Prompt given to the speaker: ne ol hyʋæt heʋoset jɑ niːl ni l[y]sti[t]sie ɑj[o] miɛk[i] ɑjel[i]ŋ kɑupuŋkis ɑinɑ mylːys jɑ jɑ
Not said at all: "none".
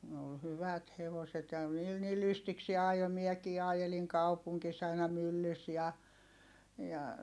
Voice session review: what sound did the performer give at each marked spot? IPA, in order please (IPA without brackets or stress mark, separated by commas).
y, k, o, iː, i